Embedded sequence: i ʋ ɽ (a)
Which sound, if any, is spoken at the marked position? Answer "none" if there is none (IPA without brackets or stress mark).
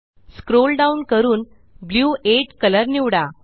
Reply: a